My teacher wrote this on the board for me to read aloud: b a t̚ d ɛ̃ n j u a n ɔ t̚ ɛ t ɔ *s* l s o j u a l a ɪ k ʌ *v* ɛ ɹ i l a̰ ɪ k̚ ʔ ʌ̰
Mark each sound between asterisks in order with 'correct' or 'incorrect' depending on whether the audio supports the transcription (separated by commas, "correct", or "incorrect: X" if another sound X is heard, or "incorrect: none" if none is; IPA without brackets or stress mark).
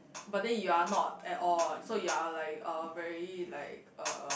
incorrect: none, correct